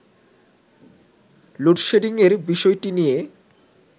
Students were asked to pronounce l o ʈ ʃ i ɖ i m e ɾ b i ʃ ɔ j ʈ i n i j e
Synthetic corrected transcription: l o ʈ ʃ e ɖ i ŋ e ɾ b i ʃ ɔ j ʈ i n i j e